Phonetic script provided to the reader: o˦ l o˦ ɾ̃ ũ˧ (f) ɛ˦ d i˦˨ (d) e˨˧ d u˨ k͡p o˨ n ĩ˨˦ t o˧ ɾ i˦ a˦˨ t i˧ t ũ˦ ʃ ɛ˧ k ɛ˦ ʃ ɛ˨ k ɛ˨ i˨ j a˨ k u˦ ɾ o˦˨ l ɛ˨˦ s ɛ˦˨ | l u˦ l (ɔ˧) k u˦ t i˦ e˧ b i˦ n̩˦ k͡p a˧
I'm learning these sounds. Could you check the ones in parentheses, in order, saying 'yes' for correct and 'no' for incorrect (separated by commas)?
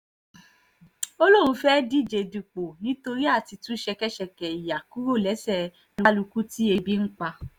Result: yes, no, no